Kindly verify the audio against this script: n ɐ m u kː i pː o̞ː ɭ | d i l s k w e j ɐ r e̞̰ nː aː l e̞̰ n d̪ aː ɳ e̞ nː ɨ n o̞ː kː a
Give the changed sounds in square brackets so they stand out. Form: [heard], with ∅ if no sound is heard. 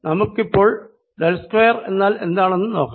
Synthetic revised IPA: n ɐ m u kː i pː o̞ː ɭ | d [e] l s k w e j ɐ r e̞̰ nː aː l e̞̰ n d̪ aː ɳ e̞ nː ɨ n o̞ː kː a